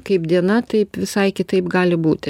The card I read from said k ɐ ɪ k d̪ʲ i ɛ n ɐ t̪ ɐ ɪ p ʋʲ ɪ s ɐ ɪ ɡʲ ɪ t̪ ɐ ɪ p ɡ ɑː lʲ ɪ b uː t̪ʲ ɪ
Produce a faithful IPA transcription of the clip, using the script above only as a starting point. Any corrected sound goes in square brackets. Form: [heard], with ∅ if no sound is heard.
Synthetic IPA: k ɐ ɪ [p] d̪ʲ i ɛ n ɐ t̪ ɐ ɪ p ʋʲ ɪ s ɐ ɪ [kʲ] ɪ t̪ ɐ ɪ p ɡ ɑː lʲ ɪ b uː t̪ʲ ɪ